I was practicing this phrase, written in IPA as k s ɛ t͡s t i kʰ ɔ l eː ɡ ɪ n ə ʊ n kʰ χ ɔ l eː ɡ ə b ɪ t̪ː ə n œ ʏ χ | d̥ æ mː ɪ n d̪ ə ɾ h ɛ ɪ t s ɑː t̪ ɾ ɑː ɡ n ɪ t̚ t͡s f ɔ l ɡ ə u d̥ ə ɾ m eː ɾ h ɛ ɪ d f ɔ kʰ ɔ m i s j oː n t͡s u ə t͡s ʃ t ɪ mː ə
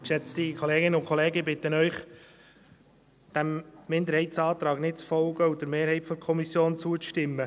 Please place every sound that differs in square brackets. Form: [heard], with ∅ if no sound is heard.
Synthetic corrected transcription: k [ʃ] ɛ t͡s t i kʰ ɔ l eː ɡ ɪ n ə ʊ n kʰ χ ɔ l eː ɡ ə b ɪ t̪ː ə n œ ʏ χ | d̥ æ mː ɪ n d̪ ə ɾ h ɛ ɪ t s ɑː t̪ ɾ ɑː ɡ n ɪ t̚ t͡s f ɔ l ɡ ə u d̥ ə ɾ m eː ɾ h ɛ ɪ [t] f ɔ kʰ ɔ m i s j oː n t͡s u ə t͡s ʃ t ɪ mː ə